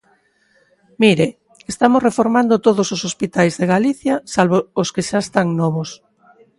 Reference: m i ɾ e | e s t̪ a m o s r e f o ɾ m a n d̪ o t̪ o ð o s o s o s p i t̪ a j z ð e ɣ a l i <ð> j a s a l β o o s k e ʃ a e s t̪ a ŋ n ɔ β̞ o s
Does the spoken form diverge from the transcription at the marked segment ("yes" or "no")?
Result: yes